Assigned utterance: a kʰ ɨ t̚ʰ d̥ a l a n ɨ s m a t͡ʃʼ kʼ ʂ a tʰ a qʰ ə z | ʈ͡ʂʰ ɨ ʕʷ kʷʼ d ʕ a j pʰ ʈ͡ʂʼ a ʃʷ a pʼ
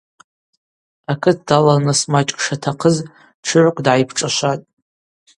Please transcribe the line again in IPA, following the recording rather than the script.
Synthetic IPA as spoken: a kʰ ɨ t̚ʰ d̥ a l a n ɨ s m a t͡ʃʼ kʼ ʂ a tʰ a qʰ ə z | ʈ͡ʂʰ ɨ ʕʷ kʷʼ d ʕ a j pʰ ʈ͡ʂʼ a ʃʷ a tʼ